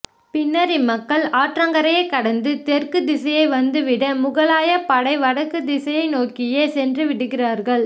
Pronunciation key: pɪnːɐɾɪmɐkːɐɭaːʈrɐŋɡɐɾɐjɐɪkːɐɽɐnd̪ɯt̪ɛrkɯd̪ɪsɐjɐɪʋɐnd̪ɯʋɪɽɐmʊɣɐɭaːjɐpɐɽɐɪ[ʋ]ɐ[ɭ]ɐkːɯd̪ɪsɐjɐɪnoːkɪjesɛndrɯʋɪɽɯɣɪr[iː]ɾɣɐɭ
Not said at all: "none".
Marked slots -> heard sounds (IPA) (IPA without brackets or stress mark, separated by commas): ʋ, ɽ, aː